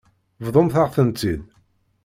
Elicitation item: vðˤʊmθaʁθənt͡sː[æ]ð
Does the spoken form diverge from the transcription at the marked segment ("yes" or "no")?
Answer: yes